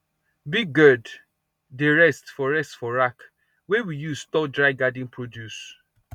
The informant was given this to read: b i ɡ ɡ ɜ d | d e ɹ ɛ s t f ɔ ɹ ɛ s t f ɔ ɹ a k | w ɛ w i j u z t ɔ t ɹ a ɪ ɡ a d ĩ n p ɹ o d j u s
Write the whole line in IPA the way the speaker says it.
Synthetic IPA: b i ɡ ɡ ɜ d | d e ɹ ɛ s t f ɔ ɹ ɛ s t f ɔ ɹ a k | w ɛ w i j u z t ɔ d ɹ a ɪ ɡ a d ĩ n p ɹ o d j u s